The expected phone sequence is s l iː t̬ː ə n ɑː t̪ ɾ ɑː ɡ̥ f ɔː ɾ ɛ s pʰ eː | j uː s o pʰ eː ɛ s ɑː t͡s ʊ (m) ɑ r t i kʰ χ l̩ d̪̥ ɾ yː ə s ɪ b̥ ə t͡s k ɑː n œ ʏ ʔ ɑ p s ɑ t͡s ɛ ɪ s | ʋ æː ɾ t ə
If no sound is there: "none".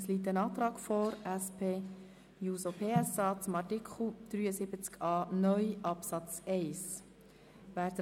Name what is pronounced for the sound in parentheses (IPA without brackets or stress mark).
m